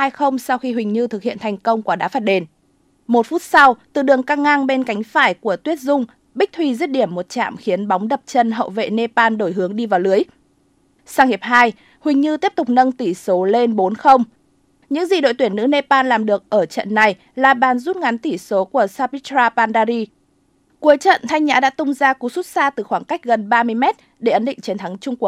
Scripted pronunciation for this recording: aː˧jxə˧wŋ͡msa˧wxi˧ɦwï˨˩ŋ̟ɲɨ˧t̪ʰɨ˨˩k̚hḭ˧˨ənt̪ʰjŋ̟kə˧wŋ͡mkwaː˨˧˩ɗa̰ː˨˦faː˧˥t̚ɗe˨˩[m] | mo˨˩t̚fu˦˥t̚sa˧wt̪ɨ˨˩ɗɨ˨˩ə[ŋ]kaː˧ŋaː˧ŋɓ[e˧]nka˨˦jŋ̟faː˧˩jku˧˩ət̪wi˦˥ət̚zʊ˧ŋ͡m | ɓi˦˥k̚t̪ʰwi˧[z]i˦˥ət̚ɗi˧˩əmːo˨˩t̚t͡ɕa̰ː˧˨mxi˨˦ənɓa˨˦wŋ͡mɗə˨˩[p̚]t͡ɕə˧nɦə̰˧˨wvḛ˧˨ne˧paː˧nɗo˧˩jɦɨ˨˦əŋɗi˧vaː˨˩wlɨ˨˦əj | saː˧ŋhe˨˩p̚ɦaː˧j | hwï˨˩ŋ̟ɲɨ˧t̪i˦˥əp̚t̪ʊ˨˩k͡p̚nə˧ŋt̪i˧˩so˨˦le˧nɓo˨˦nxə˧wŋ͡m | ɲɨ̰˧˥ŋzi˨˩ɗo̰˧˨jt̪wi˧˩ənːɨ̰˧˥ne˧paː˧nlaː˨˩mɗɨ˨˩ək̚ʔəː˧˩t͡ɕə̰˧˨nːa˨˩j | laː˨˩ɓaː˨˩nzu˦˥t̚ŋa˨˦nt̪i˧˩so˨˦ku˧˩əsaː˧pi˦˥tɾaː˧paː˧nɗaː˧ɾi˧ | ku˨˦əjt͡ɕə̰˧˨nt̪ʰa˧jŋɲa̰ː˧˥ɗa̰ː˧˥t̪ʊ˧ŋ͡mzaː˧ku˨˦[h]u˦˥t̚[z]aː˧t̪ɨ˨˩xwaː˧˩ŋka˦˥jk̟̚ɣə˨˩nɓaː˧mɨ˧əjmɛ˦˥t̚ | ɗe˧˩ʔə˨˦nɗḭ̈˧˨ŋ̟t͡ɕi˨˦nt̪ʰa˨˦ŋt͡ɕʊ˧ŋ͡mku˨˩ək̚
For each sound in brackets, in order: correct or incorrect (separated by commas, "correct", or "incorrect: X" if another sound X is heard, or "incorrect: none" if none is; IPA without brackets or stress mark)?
incorrect: n, correct, correct, correct, correct, incorrect: s, incorrect: s